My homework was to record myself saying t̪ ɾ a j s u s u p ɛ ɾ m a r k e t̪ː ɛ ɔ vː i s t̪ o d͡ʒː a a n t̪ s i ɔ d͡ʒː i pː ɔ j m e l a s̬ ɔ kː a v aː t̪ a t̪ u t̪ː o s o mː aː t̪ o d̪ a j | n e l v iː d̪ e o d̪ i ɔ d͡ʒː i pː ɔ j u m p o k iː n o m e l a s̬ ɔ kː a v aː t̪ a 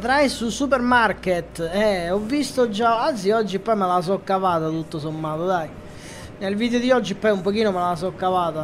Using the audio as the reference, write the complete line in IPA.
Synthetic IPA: t̪ ɾ a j s u s u p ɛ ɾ m a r k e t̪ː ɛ ɔ vː i s t̪ o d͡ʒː a a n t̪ s i ɔ d͡ʒː i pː ɔ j m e l a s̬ ɔ kː a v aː t̪ a t̪ u t̪ː o s o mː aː t̪ o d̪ a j | n e l v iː d̪ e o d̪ i ɔ d͡ʒː i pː ɔ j u m p o k iː n o m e l a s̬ ɔ kː a v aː t̪ a